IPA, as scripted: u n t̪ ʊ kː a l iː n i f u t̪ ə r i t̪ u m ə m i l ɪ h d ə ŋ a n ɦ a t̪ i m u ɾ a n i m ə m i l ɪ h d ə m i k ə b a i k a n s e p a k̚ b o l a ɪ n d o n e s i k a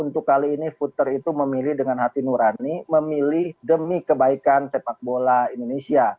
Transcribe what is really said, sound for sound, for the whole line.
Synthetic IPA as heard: u n t̪ ʊ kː a l iː n i f u t̪ ə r i t̪ u m ə m i l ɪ h d ə ŋ a n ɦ a t̪ i n u ɾ a n i m ə m i l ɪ h d ə m i k ə b a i k a n s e p a k̚ b o l a i n d o n e s i a